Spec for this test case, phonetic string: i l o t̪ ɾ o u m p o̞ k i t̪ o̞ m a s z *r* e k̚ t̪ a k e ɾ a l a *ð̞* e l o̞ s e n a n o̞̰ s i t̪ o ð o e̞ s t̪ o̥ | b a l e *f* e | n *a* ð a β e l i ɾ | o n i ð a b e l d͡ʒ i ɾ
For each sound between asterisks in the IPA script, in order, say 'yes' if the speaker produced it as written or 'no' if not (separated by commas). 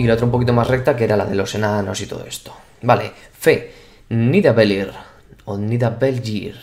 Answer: yes, yes, yes, no